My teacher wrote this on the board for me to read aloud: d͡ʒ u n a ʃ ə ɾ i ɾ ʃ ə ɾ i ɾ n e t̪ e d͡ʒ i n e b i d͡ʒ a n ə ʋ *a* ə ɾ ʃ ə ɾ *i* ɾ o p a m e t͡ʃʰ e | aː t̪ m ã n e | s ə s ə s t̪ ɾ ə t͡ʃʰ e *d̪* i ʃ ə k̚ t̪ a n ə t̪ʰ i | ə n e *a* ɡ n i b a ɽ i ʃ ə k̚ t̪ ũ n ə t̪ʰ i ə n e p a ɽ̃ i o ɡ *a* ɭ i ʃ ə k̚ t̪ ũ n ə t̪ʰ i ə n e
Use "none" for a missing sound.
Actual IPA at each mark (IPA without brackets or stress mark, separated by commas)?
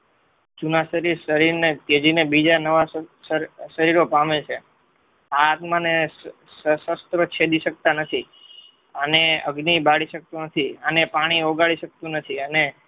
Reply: a, i, d̪, ə, a